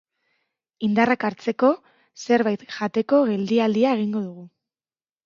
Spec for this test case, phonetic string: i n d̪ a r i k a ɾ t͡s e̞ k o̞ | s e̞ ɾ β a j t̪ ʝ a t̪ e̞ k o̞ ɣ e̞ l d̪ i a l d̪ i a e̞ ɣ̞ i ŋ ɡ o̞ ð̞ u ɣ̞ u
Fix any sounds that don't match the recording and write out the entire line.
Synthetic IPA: i n d̪ a r a k a ɾ t͡s e̞ k o̞ | s e̞ ɾ β a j t̪ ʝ a t̪ e̞ k o̞ ɣ e̞ l d̪ i a l d̪ i a e̞ ɣ̞ i ŋ ɡ o̞ ð̞ u ɣ̞ u